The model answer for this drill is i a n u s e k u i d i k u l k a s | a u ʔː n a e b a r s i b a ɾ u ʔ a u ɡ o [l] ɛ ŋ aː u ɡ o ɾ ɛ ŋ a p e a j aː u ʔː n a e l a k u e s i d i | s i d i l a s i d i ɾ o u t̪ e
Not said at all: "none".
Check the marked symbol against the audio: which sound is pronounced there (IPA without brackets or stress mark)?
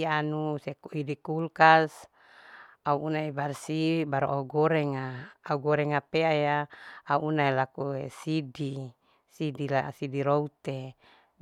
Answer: ɾ